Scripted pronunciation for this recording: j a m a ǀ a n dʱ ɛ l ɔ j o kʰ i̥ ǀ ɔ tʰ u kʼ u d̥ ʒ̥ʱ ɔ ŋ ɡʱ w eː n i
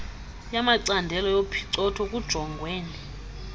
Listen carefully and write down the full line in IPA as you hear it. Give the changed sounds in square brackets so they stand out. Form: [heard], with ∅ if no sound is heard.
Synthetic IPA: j a m a ǀ a n dʱ ɛ l ɔ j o [pʰ] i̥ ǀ ɔ tʰ [ɔ] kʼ u d̥ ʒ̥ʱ ɔ ŋ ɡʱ w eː n i